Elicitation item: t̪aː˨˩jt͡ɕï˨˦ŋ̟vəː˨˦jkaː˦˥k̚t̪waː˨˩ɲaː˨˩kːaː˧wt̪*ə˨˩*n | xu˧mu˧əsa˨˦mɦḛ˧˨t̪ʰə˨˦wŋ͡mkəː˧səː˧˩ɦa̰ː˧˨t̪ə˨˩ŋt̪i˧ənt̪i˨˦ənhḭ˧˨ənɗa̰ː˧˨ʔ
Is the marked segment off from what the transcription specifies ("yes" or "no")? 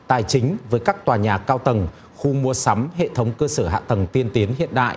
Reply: no